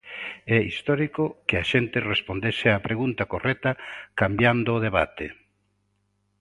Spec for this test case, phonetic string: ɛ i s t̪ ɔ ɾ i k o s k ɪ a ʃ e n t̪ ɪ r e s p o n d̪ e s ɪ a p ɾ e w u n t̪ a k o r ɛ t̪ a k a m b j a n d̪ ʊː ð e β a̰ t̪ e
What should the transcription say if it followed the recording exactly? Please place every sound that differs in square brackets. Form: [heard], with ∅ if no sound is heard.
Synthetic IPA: ɛ i s t̪ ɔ ɾ i k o [∅] k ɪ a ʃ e n t̪ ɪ r e s p o n d̪ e s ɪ a p ɾ e [ɣ] u n t̪ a k o r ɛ t̪ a k a m b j a n d̪ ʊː ð e β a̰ t̪ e